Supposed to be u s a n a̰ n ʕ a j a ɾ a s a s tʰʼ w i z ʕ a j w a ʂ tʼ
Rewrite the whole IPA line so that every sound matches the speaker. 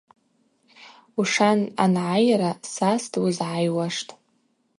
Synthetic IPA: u ʂ a n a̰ n ʕ a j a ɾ a s a s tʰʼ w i z ʕ a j w a ʂ tʼ